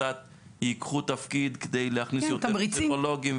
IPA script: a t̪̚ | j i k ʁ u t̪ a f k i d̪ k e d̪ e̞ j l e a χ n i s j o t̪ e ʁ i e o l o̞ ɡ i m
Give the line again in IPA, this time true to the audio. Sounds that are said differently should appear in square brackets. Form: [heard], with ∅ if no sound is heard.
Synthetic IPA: a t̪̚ | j i k [χ] u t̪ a f k i d̪ k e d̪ e̞ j l e a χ n i s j o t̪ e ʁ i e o l o̞ ɡ i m

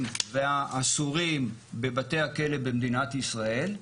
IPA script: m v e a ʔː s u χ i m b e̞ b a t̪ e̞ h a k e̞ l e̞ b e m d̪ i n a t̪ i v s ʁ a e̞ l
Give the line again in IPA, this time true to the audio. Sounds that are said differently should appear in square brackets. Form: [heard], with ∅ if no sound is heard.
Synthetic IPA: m v e a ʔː s u [ʁ] i m b e̞ b a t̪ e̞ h a k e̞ l e̞ b e m d̪ i n a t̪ i [∅] s ʁ a e̞ l

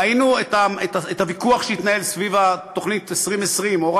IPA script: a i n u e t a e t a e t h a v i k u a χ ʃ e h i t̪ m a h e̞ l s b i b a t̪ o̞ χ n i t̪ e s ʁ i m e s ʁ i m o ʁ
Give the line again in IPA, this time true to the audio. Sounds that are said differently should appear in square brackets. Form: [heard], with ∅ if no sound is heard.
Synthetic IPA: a i n u e t a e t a e t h a v i k u a χ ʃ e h i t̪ [n] a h e̞ l s [v] i [v] a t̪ o̞ χ n i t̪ e s ʁ i m e s ʁ i m o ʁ

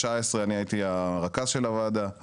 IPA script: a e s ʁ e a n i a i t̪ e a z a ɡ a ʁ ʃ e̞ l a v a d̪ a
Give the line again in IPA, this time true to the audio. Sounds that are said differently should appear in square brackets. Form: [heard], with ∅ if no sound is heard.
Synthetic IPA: a e s ʁ e a n i a i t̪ [i] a [ʁ] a [k] a [z] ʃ e̞ l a v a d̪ a

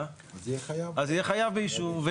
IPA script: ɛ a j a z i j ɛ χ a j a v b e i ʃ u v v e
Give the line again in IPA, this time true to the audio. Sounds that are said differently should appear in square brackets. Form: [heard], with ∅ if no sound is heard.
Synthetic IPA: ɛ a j a z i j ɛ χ a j a v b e i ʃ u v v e

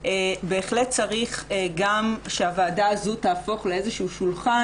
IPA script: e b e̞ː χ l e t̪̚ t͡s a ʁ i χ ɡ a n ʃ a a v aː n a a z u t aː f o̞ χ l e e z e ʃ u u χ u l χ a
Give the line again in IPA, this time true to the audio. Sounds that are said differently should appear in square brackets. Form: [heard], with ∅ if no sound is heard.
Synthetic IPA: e b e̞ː χ l e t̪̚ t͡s a ʁ i χ ɡ a [m] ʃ [e] a v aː [d] a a z u t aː f o̞ χ l e e z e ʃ u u [ʃ] u l χ a

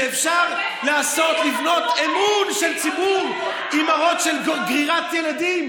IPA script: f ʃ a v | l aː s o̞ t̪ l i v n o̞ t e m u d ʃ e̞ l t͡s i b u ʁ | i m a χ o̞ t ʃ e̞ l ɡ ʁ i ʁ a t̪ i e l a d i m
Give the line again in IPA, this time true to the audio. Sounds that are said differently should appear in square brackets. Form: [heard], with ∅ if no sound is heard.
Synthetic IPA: f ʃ a [ʁ] | l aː s o̞ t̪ l i v n o̞ t e m u [n] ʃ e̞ l t͡s i b u ʁ | i m a [ʁ] o̞ t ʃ e̞ l ɡ ʁ i ʁ a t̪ [j] e l a d i m

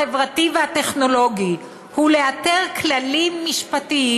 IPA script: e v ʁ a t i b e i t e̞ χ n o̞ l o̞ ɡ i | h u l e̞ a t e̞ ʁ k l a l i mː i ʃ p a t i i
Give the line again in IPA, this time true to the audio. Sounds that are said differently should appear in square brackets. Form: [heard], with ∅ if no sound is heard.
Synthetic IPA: e v ʁ a t i [v] e [a] t e̞ χ n o̞ l o̞ ɡ i | h u l e̞ a t e̞ ʁ k l a l i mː i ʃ p a t i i

